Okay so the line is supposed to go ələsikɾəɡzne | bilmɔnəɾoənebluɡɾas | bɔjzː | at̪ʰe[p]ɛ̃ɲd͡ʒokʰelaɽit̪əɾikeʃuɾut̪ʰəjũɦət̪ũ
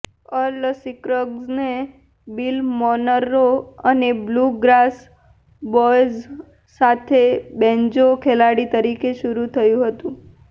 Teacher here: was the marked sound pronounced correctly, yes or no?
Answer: no